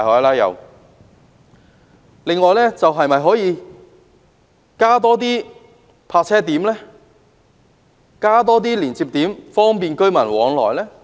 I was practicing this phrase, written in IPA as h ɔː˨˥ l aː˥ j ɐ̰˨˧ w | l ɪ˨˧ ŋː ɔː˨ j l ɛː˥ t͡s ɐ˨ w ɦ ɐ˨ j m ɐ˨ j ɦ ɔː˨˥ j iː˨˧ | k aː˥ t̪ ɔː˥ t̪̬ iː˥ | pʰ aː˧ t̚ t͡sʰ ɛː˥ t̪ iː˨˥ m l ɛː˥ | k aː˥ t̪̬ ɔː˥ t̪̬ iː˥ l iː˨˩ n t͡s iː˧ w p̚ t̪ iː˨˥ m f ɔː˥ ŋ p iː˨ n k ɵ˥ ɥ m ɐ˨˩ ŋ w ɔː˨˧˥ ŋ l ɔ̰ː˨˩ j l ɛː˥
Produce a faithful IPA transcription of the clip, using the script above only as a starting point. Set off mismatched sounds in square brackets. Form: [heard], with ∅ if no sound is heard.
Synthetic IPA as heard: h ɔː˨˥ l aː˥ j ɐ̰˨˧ w | l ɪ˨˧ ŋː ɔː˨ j l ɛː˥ t͡s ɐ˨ w ɦ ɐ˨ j m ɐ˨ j ɦ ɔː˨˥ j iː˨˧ | k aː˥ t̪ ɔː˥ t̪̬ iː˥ | pʰ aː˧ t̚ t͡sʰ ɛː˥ t̪ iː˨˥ m l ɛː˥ | k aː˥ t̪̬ ɔː˥ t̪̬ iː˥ l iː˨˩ n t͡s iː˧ [∅] p̚ t̪ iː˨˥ m f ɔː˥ ŋ p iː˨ n k ɵ˥ ɥ m ɐ˨˩ [n] w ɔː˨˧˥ ŋ l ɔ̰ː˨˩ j l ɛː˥